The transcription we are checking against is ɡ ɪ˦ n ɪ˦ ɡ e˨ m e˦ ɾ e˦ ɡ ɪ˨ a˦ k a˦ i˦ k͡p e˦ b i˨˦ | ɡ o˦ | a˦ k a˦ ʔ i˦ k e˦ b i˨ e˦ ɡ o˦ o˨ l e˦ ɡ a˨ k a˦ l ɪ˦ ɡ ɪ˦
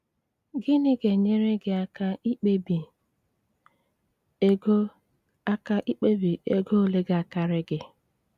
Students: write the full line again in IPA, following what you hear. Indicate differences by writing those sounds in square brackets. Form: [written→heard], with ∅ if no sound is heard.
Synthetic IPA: ɡ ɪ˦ n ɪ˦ ɡ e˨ [m→ɲ] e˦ ɾ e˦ ɡ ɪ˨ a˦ k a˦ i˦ k͡p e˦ b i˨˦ | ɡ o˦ | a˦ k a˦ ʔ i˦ [k→k͡p] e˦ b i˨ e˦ ɡ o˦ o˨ l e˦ ɡ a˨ k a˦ [l→ɾ] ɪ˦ ɡ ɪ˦